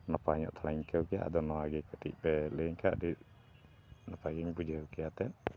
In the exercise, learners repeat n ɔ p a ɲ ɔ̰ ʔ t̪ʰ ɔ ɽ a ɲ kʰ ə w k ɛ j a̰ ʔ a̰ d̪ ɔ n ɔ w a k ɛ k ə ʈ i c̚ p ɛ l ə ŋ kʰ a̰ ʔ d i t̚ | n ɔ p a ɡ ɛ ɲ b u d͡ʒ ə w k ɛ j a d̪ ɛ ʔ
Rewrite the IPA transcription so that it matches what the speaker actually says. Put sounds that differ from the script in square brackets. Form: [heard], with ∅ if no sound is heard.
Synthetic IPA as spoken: n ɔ p a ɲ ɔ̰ ʔ t̪ʰ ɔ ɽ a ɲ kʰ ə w k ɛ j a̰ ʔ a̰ d̪ ɔ n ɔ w a [ɡ] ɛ k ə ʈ i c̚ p ɛ l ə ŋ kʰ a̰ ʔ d i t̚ | n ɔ p a ɡ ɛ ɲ b u d͡ʒ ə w k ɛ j a [t̪] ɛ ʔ